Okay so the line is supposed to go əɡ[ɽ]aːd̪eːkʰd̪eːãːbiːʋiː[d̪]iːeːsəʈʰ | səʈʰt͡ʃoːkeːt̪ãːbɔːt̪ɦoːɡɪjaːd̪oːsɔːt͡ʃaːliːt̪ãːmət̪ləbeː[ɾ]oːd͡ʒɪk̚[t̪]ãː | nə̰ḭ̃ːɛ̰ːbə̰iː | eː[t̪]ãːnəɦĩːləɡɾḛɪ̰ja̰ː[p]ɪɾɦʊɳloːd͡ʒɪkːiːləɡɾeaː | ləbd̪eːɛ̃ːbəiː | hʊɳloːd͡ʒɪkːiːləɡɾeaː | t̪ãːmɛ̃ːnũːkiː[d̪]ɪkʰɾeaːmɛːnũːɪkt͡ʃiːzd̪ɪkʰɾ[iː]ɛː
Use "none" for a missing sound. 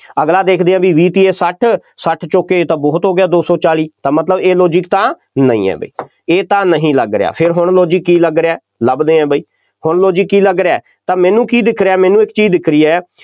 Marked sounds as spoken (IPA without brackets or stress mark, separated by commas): l, t̪, l, t̪, t̪, pʰ, d̪, iː